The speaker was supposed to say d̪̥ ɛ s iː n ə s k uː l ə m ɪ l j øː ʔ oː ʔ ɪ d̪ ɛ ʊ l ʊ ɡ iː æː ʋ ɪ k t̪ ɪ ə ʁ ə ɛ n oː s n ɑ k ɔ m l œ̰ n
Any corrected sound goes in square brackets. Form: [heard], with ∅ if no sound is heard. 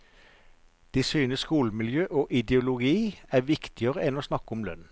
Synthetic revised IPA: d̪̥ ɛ s [yː] n ə s k uː l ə m ɪ l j øː ʔ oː ʔ ɪ d̪ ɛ ʊ l ʊ ɡ iː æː ʋ ɪ k t̪ ɪ ə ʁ ə ɛ n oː s n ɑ k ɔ m l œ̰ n